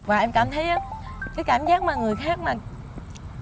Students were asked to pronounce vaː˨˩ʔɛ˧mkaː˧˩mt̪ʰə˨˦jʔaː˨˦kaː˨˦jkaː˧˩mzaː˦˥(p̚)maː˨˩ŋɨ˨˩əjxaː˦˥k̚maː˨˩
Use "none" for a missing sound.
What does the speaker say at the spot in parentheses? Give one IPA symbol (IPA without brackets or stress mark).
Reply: k̚